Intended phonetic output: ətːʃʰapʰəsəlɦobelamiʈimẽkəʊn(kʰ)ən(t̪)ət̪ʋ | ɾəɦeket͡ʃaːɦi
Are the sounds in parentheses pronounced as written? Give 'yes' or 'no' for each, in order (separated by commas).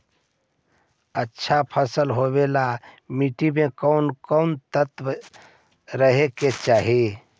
no, yes